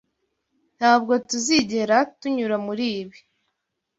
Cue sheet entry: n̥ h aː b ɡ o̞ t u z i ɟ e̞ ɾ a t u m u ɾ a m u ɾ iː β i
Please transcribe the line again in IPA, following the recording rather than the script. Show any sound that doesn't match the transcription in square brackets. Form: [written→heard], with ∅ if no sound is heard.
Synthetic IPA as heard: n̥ h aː b ɡ o̞ t u z i ɟ e̞ ɾ a t u [m→ɲ] u ɾ a m u ɾ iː β i